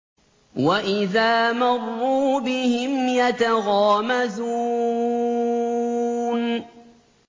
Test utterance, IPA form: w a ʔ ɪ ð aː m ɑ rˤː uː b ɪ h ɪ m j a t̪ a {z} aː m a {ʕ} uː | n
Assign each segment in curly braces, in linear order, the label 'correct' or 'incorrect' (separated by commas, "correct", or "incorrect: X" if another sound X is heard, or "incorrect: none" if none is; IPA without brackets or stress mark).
incorrect: ɣ, incorrect: z